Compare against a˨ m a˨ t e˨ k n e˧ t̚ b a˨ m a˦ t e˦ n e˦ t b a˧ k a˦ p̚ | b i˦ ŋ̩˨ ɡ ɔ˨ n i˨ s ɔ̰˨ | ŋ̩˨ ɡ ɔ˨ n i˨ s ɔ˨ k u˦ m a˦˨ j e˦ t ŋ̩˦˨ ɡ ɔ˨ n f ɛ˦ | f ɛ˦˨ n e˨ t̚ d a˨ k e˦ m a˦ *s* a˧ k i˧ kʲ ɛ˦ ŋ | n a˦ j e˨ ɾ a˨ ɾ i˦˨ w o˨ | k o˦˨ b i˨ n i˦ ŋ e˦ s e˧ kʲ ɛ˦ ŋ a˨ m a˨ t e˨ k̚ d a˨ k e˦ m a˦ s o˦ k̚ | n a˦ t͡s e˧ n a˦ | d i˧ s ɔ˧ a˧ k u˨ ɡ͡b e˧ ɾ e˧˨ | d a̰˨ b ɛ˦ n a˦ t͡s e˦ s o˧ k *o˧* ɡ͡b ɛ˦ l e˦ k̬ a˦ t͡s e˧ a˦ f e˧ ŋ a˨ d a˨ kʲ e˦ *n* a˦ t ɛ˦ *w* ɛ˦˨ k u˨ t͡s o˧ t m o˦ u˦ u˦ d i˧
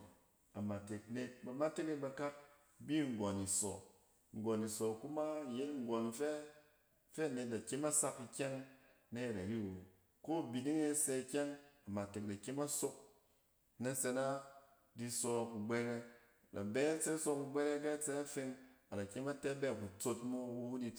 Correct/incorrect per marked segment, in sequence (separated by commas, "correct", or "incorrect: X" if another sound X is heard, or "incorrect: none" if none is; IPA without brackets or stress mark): correct, incorrect: u˧, incorrect: m, incorrect: b